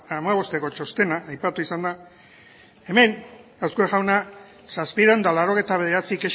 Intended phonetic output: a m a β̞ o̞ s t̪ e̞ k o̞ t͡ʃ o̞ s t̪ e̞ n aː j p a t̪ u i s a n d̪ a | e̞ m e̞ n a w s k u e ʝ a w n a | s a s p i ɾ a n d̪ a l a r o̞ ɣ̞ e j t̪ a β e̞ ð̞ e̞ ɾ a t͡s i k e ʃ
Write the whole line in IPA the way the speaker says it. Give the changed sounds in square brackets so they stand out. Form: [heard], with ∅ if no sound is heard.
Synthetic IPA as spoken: a m a β̞ o̞ s t̪ e̞ k o̞ t͡ʃ o̞ s t̪ e̞ n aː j p a t̪ u i s a n d̪ a | e̞ m e̞ n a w s k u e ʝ a w n a | s a s p i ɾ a n d̪ a l a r o̞ ɣ̞ e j t̪ a β e̞ ð̞ e̞ ɾ a t͡s i k e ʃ